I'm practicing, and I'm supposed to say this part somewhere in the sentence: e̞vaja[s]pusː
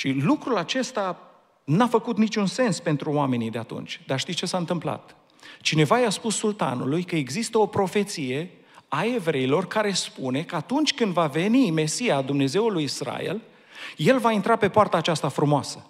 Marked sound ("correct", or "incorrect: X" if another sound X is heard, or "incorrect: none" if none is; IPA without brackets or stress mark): correct